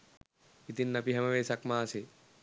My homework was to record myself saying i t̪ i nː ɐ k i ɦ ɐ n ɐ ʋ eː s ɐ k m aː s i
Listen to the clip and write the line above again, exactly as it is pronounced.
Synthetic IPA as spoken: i t̪ i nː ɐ p i ɦ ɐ m ɐ ʋ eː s ɐ k m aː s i

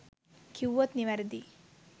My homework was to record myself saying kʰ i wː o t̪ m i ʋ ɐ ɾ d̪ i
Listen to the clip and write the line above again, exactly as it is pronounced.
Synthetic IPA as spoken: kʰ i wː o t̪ n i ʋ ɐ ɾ d̪ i

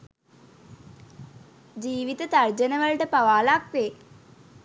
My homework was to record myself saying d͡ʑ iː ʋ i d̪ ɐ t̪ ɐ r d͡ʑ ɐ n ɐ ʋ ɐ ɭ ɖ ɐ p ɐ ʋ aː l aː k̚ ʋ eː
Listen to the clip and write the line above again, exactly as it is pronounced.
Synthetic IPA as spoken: d͡ʑ iː ʋ i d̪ ɐ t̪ ɐ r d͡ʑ ɐ n ɐ ʋ ɐ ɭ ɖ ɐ p ɐ ʋ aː l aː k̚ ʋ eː

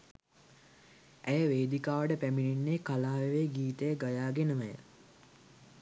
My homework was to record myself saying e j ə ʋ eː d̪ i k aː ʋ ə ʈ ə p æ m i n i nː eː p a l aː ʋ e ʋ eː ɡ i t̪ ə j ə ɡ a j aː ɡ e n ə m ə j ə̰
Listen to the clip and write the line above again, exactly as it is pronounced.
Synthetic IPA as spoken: æ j ə ʋ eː d̪ i k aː ʋ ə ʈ ə p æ m i n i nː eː k a l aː ʋ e ʋ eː ɡ iː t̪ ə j ə ɡ a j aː ɡ e n ə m ə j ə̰

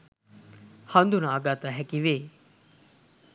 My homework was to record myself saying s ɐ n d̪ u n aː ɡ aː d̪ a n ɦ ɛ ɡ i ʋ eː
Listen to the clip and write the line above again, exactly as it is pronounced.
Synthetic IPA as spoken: h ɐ n d̪ u n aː ɡ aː t̪ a ɦ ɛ k i ʋ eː

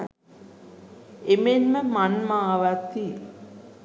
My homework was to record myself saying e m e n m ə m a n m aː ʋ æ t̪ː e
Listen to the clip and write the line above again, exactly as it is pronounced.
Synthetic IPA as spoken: e m e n m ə m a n m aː ʋ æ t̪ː i

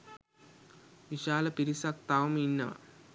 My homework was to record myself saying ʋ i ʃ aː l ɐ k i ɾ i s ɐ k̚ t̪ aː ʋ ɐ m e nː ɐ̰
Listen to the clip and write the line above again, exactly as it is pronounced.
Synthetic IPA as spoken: ʋ i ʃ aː l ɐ p i ɾ i s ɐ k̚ t̪ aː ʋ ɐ m i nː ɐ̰

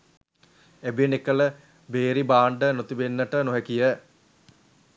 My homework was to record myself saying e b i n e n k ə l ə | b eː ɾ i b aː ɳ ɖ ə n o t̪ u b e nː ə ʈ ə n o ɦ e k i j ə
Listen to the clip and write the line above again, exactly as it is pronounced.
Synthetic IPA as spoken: e b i n e k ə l ə | b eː ɾ i b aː ɳ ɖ ə n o t̪ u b e nː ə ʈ ə n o ɦ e k i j ə

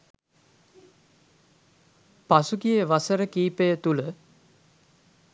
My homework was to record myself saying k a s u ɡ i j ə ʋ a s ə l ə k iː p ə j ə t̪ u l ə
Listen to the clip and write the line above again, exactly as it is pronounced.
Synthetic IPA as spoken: p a s u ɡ i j ə ʋ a s ə ɾ ə k iː p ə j ə t̪ u l ə

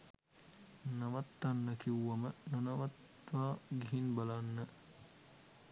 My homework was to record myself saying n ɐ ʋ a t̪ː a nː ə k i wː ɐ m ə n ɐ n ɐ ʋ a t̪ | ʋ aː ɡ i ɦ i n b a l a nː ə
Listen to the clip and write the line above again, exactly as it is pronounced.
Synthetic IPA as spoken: n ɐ ʋ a t̪ː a nː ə k i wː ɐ m ə n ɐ n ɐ ʋ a t̪ | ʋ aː ɡ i ɦ i n b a l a nː ə

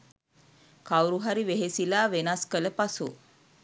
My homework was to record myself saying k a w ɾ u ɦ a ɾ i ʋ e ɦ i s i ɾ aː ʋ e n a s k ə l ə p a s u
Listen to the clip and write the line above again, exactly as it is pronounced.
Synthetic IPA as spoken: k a w ɾ u ɦ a ɾ i ʋ e ɦ e s i l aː ʋ e n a s k ə l ə p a s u

